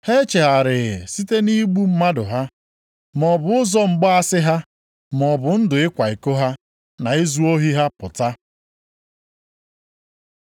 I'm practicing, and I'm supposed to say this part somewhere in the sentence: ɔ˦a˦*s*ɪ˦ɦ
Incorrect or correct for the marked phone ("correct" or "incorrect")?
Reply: correct